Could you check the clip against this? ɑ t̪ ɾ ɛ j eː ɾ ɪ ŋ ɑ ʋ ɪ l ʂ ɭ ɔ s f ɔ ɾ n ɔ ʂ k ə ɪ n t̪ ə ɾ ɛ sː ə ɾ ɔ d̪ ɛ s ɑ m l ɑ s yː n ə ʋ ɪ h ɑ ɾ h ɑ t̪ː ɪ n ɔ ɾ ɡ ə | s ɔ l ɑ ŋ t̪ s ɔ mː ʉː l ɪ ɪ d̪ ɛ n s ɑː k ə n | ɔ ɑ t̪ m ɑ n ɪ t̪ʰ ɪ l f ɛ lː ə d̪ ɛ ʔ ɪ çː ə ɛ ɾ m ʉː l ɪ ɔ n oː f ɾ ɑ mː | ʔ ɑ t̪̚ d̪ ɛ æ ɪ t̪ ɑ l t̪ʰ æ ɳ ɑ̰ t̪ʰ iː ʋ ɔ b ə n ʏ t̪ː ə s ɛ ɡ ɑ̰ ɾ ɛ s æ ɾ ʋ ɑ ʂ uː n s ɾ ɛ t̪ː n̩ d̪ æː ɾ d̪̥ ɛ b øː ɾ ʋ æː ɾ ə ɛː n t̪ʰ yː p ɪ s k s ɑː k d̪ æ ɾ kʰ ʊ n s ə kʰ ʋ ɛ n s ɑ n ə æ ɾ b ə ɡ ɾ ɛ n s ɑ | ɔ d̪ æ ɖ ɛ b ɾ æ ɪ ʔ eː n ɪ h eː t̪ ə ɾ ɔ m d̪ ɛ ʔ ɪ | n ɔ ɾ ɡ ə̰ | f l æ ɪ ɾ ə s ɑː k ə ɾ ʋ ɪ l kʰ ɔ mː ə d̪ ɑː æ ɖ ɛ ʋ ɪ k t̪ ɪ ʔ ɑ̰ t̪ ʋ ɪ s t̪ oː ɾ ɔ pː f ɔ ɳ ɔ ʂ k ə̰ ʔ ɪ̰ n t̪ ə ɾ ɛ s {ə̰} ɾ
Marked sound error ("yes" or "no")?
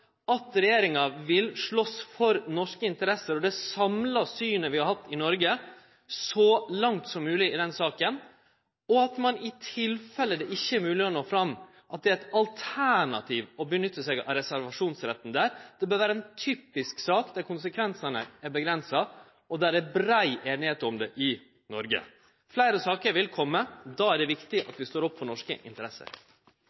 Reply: no